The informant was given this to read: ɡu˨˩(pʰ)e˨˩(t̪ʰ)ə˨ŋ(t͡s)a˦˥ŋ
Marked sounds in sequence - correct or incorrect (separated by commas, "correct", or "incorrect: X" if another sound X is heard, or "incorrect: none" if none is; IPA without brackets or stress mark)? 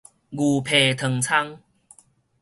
correct, correct, incorrect: t͡sʰ